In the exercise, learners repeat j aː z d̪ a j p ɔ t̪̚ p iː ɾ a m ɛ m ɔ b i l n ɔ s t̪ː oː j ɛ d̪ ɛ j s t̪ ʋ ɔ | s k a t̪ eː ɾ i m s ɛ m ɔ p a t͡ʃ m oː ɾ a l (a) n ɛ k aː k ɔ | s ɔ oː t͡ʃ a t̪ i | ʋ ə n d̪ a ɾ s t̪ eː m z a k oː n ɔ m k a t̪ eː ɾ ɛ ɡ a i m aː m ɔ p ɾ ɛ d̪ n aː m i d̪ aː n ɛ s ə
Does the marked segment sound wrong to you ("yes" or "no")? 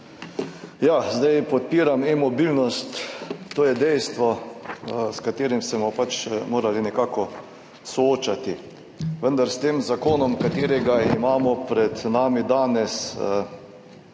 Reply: yes